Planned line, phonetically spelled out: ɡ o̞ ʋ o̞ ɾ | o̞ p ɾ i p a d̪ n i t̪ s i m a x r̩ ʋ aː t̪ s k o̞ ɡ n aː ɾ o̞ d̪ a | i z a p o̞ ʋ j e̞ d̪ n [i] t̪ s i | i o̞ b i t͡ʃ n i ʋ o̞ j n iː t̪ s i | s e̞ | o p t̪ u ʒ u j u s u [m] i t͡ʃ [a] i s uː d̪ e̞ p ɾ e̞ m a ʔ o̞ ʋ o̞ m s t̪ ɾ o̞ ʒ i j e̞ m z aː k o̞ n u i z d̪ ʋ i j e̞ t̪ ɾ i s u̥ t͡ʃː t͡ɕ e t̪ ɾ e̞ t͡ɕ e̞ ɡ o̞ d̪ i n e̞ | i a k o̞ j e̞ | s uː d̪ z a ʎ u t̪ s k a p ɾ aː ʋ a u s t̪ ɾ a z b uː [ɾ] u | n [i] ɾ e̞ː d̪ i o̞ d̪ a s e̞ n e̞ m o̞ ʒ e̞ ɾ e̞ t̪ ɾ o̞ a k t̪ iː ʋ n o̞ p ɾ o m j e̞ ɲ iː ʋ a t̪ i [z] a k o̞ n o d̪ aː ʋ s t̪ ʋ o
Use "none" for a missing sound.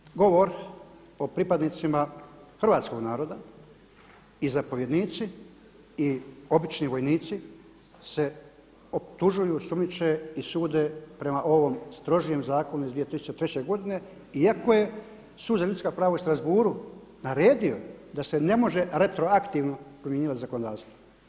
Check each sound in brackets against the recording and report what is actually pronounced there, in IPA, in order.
iː, m, e, ɾ, a, z

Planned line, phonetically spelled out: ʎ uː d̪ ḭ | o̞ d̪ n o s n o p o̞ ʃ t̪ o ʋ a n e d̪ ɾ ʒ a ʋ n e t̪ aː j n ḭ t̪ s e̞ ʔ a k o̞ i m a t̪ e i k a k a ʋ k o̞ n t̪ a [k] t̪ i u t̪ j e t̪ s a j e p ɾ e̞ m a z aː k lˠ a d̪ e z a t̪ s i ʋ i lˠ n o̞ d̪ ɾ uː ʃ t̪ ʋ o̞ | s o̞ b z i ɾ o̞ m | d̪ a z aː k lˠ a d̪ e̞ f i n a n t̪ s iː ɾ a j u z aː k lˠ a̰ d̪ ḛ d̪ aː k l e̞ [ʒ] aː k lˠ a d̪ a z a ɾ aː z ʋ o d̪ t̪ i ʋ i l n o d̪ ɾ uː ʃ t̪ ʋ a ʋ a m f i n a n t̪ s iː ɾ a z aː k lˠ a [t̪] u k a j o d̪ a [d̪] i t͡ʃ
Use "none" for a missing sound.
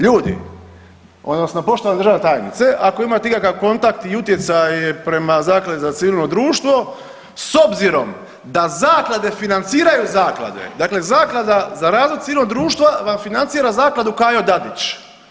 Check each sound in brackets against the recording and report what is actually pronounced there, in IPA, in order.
k, z, d̪, d̪

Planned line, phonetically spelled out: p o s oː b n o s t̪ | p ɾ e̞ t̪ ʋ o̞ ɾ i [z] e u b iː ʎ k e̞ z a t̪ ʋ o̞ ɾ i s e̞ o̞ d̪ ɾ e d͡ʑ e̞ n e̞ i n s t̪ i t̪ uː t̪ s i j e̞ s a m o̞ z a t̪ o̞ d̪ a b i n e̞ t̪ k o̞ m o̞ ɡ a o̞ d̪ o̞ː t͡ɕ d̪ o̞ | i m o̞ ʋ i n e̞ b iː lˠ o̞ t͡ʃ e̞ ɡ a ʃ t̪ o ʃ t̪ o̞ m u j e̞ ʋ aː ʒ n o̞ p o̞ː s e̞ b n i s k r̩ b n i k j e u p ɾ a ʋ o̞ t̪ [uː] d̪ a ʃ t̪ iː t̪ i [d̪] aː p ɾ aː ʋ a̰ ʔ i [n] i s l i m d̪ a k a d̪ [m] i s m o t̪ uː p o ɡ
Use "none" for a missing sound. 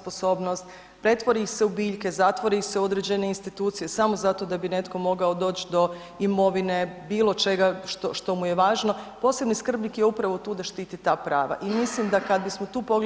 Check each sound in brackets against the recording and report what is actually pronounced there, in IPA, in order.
s, uː, t̪, m, b

